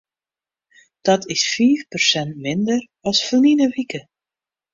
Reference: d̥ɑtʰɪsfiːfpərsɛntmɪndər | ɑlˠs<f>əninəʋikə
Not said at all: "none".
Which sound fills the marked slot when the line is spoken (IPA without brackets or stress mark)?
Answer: f